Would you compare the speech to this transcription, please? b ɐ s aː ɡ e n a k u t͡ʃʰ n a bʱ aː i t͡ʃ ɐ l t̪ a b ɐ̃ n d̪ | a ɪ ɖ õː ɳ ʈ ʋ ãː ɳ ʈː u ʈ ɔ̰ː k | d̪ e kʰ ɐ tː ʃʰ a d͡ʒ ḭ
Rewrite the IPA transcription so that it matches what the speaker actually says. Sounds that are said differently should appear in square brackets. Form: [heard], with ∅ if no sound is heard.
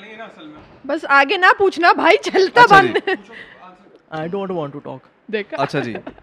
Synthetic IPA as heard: b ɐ s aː ɡ e n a [p] u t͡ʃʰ n a bʱ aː i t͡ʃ ɐ l t̪ a b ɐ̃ n d̪ | a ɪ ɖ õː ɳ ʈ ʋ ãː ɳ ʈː u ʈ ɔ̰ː k | d̪ e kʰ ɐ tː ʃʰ a d͡ʒ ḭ